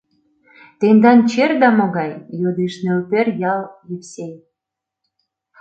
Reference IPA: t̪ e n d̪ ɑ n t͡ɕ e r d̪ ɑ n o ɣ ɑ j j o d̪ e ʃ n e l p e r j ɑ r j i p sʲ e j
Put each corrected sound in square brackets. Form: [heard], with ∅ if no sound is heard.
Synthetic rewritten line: t̪ e n d̪ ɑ n t͡ɕ e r d̪ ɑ [m] o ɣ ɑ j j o d̪ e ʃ n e l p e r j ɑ [l] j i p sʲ e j